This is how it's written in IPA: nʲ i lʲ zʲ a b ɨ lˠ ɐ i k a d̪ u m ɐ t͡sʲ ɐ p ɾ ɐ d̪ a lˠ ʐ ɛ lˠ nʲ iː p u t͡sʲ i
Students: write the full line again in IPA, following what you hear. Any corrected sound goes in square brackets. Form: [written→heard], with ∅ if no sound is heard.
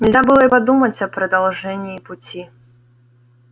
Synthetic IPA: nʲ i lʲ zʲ a b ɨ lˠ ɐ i [k→p] a d̪ u m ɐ t͡sʲ ɐ p ɾ ɐ d̪ a lˠ ʐ ɛ [lˠ→∅] nʲ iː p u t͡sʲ i

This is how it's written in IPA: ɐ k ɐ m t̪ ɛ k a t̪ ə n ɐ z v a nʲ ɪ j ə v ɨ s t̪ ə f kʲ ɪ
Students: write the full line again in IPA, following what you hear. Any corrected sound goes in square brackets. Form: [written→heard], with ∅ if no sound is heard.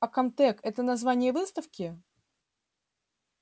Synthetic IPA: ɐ k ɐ m t̪ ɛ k [a→ɛ] t̪ ə n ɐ z v a nʲ ɪ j ə v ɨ s t̪ ə f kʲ ɪ

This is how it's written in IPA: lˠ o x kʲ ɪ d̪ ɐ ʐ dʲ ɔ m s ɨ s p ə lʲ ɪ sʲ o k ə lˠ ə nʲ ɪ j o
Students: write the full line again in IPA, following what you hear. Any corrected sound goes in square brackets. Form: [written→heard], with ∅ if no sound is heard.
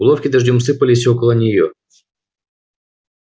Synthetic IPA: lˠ o [x→f] kʲ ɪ d̪ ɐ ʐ dʲ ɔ m s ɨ [s→∅] p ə lʲ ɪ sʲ o k ə lˠ ə nʲ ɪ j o

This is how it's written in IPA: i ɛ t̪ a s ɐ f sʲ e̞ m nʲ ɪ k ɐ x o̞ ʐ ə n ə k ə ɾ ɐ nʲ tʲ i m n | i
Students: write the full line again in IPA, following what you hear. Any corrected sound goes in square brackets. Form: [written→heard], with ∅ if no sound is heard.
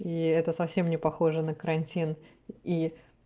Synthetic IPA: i ɛ t̪ [a→ə] s ɐ f sʲ e̞ m nʲ ɪ [k→p] ɐ x o̞ ʐ ə n ə k ə ɾ ɐ nʲ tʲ i [m→∅] n | i

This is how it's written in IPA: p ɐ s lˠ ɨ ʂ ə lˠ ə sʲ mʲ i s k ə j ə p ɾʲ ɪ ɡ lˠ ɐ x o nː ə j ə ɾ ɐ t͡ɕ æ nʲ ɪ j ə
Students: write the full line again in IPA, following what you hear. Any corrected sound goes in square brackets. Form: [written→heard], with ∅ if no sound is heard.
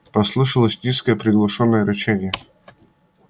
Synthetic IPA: p ɐ s lˠ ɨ ʂ ə lˠ ə sʲ [mʲ→nʲ] i s k ə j ə p ɾʲ ɪ ɡ lˠ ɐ [x→ʂ] o nː ə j ə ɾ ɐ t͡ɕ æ nʲ ɪ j ə

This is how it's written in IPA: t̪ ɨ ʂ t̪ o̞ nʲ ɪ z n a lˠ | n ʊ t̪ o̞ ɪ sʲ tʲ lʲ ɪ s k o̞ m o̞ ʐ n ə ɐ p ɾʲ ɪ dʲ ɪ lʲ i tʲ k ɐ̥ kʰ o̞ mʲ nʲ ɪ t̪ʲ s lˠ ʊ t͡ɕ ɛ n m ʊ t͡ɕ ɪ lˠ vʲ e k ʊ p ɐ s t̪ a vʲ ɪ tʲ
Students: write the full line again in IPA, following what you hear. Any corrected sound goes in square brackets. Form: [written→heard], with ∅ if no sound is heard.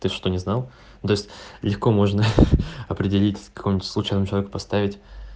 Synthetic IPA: t̪ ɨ ʂ t̪ o̞ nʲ ɪ z n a lˠ | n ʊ t̪ o̞ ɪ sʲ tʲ lʲ ɪ [s→x] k o̞ m o̞ ʐ n ə ɐ p ɾʲ ɪ dʲ ɪ lʲ i tʲ k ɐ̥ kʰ o̞ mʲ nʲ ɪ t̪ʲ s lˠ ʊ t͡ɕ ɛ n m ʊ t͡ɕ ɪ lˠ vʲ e k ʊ p ɐ s t̪ a vʲ ɪ tʲ

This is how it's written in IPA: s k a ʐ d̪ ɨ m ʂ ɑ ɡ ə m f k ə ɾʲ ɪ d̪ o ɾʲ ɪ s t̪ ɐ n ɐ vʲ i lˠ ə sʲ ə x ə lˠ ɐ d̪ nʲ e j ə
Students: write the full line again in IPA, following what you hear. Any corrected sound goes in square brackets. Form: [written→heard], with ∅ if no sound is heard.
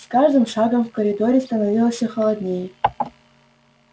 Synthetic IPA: s k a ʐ d̪ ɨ m ʂ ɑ ɡ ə m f k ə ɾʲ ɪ d̪ o ɾʲ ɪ s t̪ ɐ n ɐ vʲ i lˠ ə sʲ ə x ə lˠ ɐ d̪ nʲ e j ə

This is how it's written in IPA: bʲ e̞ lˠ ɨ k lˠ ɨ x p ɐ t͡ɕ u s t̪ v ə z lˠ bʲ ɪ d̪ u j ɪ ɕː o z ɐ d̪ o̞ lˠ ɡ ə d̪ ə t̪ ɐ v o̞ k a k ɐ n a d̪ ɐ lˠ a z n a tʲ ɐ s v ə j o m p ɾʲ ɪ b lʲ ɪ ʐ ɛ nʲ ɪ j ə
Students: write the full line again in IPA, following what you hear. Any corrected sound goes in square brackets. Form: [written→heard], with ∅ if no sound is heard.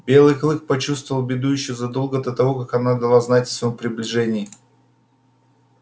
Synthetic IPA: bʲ e̞ lˠ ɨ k lˠ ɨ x p ɐ t͡ɕ u s t̪ v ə [z→v] lˠ bʲ ɪ d̪ u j ɪ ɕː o z ɐ d̪ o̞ lˠ ɡ ə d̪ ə t̪ ɐ v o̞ k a k ɐ n a d̪ ɐ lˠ a z n a tʲ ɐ s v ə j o m p ɾʲ ɪ b lʲ ɪ ʐ ɛ nʲ ɪ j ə

